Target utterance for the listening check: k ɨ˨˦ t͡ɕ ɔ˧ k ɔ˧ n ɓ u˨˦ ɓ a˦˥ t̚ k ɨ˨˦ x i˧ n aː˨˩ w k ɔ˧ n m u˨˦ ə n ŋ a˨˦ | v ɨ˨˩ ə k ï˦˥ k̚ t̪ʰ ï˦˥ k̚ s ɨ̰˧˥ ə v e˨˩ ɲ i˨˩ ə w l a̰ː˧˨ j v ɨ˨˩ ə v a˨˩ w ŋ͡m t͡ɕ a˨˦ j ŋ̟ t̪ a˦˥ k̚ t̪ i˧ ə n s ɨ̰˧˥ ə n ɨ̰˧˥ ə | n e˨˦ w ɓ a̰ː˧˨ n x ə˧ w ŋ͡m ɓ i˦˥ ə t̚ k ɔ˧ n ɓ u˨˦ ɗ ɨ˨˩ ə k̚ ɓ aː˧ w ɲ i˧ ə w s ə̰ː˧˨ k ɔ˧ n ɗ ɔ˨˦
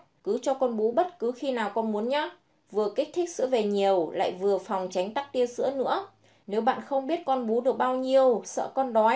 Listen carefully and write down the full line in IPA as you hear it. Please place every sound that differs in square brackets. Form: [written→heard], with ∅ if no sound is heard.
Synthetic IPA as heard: k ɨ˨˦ t͡ɕ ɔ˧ k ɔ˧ n ɓ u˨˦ ɓ [a˦˥→ə˦˥] t̚ k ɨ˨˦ x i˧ n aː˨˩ w k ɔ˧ n m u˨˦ ə n [ŋ→ɲ] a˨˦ | v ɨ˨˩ ə k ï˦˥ k̚ t̪ʰ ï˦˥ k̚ s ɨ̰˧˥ ə v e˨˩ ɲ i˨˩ ə w l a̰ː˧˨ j v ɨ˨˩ ə [v→f] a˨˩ w ŋ͡m t͡ɕ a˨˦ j ŋ̟ t̪ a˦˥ k̚ t̪ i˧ ə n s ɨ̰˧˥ ə n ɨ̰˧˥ ə | n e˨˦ w ɓ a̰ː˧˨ n x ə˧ w ŋ͡m ɓ i˦˥ ə t̚ k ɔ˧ n ɓ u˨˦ ɗ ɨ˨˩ ə k̚ ɓ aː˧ w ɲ i˧ ə w s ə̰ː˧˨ k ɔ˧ n ɗ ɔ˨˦